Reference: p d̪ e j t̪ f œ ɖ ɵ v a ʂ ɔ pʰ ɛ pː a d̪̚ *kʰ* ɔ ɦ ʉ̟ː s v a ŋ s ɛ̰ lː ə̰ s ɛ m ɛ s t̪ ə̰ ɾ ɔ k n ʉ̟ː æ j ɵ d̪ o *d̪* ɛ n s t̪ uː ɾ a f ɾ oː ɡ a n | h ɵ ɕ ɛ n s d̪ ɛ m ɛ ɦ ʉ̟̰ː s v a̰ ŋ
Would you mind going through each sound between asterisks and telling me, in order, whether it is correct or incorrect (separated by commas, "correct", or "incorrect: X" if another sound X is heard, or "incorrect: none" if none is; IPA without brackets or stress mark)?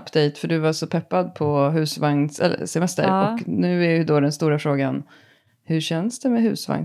incorrect: pʰ, correct